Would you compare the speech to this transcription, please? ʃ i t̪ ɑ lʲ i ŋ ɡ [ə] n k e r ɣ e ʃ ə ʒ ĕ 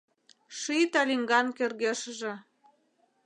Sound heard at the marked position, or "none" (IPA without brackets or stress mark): ɑ